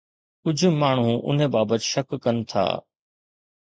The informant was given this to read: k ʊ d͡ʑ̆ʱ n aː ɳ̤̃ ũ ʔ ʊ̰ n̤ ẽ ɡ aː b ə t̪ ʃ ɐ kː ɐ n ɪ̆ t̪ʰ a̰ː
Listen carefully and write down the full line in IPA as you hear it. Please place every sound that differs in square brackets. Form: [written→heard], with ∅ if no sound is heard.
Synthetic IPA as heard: k ʊ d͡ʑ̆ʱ [n→m] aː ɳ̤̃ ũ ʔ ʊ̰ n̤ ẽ [ɡ→b] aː b ə t̪ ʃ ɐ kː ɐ n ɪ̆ t̪ʰ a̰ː